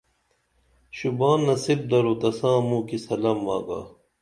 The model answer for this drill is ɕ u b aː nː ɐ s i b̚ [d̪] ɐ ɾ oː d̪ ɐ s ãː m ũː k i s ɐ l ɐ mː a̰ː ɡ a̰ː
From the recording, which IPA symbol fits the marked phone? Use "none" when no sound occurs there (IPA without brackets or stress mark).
d̪